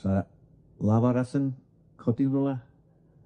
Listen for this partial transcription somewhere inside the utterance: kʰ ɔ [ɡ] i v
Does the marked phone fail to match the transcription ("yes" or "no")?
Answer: yes